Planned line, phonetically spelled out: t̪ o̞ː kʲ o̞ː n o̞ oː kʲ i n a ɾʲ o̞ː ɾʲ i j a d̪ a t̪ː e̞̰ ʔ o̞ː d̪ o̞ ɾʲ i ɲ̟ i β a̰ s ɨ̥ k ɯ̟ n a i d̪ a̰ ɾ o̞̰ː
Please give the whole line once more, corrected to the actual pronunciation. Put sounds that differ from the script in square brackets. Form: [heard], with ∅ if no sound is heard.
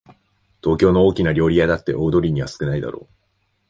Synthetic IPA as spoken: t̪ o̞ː kʲ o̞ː n o̞ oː kʲ i n a ɾʲ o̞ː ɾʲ i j a d̪ a t̪ː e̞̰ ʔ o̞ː d̪ o̞ ɾʲ i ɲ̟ i β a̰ s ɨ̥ k ɯ̟ n a i d̪ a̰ ɾ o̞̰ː